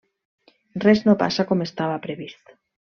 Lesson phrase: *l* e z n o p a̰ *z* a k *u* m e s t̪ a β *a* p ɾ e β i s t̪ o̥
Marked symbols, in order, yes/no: no, no, no, yes

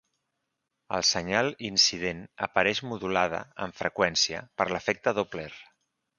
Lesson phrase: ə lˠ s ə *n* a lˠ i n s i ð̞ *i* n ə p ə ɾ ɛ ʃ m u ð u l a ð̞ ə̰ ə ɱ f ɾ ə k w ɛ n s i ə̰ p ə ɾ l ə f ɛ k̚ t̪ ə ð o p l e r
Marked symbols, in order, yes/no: no, no

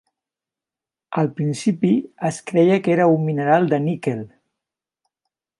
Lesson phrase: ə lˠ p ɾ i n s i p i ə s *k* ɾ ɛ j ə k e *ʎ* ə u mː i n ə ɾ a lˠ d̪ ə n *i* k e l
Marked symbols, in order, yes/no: yes, no, yes

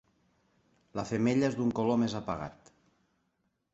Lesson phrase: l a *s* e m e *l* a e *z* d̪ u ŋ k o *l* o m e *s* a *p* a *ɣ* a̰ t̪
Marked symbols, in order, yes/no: no, no, yes, yes, no, yes, yes

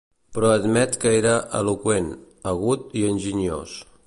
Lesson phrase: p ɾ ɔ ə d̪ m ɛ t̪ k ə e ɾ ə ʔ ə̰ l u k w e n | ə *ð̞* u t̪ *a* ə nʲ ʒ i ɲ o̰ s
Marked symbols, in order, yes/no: no, no

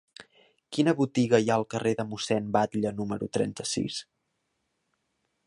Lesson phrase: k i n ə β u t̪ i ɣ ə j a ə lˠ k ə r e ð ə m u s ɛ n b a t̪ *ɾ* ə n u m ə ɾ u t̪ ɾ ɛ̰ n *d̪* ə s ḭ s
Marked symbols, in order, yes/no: no, no

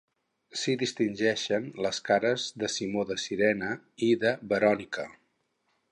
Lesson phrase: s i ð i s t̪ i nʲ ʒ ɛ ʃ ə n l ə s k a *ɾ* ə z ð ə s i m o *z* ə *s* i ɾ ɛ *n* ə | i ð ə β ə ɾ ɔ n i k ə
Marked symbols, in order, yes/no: yes, no, yes, yes

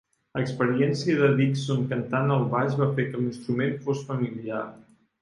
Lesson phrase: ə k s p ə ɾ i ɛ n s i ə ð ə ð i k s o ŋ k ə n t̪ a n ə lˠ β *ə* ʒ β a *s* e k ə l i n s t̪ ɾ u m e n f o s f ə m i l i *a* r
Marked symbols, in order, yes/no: no, no, yes

